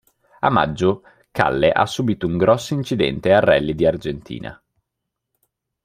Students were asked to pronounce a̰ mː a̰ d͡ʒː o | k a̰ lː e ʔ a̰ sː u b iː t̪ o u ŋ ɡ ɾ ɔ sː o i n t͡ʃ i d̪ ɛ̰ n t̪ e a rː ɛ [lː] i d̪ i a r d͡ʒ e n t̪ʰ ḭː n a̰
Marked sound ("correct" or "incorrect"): correct